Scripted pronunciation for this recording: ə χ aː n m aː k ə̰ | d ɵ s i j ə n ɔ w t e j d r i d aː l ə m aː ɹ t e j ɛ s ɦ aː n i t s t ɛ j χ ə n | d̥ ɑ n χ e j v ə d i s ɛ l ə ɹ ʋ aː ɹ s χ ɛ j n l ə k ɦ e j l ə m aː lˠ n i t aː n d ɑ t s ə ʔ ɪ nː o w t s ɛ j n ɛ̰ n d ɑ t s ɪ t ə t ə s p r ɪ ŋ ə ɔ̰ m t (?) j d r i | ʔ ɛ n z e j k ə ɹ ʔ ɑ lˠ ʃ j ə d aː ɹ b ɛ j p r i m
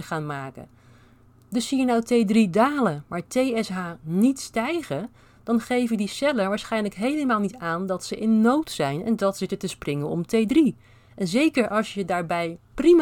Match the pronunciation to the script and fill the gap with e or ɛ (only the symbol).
e